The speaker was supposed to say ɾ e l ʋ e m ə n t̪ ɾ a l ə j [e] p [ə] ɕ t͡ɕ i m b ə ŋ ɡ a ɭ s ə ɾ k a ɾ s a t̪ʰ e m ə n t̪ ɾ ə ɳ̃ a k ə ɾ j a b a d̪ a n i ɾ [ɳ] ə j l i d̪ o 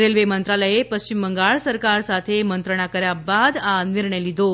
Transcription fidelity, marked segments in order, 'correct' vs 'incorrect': correct, correct, correct

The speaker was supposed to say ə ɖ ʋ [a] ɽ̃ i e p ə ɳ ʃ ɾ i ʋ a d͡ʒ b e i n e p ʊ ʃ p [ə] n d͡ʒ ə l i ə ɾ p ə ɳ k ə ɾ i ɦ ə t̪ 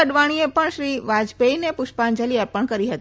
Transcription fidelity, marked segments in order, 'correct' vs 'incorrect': correct, incorrect

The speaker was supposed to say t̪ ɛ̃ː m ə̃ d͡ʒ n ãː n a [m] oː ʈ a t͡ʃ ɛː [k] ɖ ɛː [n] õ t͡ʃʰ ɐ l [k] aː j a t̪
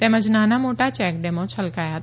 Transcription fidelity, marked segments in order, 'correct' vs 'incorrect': correct, correct, incorrect, correct

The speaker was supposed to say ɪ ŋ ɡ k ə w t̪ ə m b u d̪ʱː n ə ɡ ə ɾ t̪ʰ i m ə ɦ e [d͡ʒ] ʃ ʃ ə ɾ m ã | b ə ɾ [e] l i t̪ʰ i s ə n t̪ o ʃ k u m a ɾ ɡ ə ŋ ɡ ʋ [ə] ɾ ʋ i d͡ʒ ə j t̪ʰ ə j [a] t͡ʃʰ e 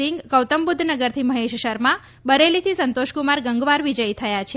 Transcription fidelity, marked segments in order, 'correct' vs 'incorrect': incorrect, correct, incorrect, correct

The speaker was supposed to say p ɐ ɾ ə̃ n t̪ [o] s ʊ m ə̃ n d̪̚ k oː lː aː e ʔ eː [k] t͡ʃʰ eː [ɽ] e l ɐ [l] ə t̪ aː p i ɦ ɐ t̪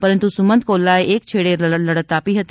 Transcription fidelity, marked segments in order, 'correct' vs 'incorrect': incorrect, correct, correct, incorrect

